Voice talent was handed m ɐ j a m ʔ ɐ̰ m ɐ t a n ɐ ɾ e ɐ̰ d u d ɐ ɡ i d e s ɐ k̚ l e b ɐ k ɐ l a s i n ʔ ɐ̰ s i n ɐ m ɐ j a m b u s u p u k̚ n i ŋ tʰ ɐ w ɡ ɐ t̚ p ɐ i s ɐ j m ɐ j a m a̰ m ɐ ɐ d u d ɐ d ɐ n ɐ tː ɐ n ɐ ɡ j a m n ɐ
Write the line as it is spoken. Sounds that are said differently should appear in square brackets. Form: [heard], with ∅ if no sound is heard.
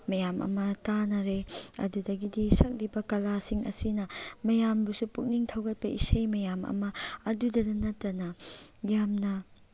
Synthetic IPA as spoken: m ɐ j a m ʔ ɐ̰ m ɐ t a n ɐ ɾ e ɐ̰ d u d ɐ ɡ i d [i] s ɐ k̚ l [i] b ɐ k ɐ l a s i [ŋ] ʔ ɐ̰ s i n ɐ m ɐ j a m b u s u p u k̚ n i ŋ tʰ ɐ w ɡ ɐ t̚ p ɐ i s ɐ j m ɐ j a m [ɐ̰] m ɐ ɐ d u d ɐ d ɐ n ɐ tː ɐ n ɐ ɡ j a m n ɐ